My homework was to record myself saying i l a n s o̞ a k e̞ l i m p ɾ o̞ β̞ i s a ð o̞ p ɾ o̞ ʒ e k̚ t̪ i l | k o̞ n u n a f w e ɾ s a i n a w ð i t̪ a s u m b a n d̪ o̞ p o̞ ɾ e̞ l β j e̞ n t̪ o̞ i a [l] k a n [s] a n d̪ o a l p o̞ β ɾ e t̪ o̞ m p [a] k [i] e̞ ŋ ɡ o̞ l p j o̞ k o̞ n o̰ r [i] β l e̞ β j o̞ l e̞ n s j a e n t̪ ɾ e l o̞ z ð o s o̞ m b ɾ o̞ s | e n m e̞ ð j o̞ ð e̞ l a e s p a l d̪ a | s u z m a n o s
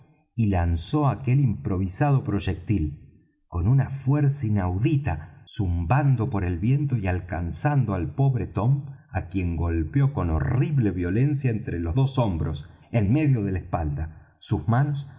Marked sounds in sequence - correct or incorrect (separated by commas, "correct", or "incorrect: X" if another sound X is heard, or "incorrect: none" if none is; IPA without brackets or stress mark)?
correct, correct, correct, incorrect: j, correct